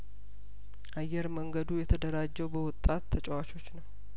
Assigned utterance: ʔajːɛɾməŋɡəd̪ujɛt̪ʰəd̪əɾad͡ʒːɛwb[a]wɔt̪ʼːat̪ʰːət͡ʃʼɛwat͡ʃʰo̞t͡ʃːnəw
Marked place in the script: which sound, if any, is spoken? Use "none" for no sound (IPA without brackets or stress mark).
ə